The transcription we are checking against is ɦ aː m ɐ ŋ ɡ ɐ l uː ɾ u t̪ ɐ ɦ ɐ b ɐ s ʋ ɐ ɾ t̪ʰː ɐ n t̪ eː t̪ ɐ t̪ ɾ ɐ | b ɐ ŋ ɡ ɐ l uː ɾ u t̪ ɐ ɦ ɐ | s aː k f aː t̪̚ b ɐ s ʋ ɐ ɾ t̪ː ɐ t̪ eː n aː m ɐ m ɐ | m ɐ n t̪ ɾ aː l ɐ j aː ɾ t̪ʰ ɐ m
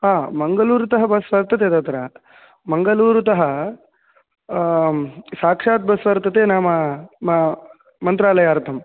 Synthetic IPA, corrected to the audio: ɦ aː m ɐ ŋ ɡ ɐ l uː ɾ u t̪ ɐ ɦ ɐ b ɐ s ʋ ɐ ɾ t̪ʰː ɐ t̪ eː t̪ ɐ t̪ ɾ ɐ | m ɐ ŋ ɡ ɐ l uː ɾ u t̪ ɐ ɦ ɐ | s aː k ʂ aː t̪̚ b ɐ s ʋ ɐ ɾ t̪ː ɐ t̪ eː n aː m ɐ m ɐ | m ɐ n t̪ ɾ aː l ɐ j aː ɾ t̪ʰ ɐ m